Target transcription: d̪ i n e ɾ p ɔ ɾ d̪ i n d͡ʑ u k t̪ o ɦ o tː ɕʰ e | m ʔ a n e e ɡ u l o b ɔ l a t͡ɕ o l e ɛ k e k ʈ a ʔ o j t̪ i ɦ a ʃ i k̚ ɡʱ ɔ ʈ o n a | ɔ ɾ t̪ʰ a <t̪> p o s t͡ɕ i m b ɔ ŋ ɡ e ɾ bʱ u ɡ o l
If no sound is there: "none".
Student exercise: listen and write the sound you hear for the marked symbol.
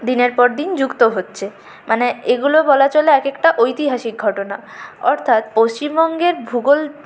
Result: t̪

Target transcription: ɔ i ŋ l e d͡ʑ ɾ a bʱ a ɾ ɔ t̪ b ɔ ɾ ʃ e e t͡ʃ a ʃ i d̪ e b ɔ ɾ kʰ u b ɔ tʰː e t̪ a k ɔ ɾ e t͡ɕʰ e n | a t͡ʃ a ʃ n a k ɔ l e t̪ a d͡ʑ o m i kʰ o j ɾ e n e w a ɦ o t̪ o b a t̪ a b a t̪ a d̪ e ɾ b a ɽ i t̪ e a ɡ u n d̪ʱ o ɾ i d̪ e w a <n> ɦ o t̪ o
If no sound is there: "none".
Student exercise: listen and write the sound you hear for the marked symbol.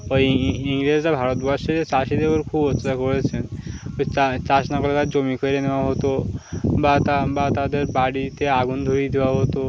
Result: none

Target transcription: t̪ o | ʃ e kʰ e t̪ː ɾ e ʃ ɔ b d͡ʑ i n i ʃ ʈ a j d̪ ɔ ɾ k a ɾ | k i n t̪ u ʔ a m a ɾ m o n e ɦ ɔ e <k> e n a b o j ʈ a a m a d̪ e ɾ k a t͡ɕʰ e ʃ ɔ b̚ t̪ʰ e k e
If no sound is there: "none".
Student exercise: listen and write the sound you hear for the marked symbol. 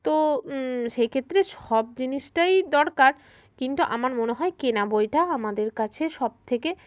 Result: k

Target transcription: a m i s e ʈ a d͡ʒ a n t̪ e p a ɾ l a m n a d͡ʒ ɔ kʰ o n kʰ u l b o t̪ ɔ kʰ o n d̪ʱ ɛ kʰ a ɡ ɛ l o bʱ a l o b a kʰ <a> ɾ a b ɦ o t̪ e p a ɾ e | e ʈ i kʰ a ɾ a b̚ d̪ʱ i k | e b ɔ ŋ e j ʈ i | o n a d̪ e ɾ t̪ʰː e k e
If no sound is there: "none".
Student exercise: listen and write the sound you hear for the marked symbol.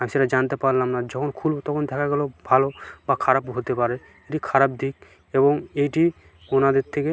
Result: a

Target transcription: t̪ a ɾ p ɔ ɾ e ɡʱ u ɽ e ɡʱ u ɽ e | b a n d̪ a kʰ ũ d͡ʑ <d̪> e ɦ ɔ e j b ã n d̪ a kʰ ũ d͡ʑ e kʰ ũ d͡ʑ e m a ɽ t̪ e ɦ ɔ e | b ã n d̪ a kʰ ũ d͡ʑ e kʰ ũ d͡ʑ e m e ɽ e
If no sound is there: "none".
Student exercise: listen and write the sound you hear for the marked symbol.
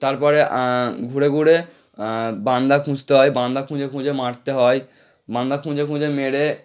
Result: t̪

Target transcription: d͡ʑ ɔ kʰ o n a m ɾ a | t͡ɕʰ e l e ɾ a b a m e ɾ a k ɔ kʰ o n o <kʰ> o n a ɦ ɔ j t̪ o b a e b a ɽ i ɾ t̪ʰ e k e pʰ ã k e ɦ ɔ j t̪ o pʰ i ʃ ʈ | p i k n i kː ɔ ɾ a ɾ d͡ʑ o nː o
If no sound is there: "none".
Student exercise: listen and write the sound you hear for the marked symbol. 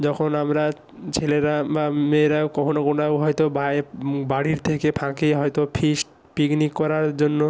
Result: k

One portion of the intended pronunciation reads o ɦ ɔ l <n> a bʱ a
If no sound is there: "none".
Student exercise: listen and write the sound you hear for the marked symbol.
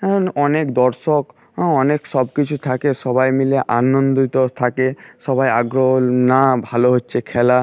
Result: n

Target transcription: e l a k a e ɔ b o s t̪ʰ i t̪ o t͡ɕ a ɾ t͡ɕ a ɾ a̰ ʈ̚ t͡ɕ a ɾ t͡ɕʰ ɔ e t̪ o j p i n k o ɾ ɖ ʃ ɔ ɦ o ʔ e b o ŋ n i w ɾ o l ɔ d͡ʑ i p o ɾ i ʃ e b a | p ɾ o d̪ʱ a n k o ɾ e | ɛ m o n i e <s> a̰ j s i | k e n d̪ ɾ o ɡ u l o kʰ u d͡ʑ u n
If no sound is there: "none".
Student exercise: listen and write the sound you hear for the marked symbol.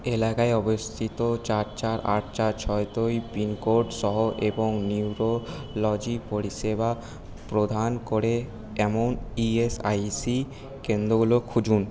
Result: s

